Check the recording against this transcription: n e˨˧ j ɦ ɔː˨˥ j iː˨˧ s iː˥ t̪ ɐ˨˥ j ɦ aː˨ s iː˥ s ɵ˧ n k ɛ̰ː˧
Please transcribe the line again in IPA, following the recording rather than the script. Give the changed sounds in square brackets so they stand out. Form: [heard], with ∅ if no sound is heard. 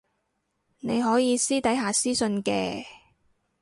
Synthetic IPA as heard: n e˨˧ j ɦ ɔː˨˥ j iː˨˧ s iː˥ t̪ ɐ˨˥ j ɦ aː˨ s iː˥ s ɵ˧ n k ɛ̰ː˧